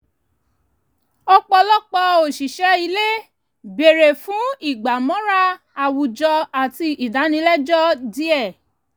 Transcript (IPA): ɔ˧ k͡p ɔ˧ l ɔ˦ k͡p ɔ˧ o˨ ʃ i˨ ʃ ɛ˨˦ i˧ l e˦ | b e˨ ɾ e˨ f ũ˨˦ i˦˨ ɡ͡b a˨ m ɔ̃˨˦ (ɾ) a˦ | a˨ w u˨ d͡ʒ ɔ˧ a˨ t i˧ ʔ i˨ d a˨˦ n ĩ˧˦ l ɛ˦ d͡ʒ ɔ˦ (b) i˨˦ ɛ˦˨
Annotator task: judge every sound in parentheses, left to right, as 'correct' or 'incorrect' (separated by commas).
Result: correct, incorrect